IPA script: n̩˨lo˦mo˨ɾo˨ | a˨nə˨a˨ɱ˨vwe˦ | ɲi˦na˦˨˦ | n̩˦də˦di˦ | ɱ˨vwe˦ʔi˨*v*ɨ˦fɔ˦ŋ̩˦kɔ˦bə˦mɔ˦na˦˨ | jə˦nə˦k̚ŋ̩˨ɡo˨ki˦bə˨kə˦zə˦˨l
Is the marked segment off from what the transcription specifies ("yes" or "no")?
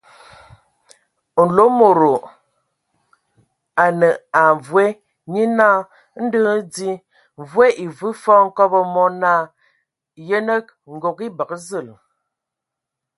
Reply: no